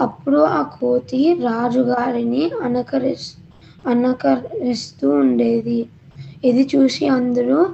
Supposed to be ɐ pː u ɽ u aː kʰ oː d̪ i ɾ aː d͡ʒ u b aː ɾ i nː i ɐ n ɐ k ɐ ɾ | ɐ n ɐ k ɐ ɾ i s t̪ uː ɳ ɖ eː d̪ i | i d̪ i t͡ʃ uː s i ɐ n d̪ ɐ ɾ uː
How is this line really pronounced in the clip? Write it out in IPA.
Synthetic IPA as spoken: ɐ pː u ɽ u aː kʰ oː t̪ i ɾ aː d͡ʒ u ɡ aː ɾ i n i ɐ n ɐ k ɐ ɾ | ɐ n ɐ k ɐ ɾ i s t̪ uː ɳ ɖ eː d̪ i | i d̪ i t͡ʃ uː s i ɐ n d̪ ɐ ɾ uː